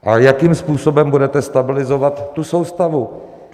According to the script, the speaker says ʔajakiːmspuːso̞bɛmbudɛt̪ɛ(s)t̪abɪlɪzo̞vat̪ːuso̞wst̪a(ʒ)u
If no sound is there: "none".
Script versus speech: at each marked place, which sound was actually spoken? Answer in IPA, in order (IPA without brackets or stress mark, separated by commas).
s, v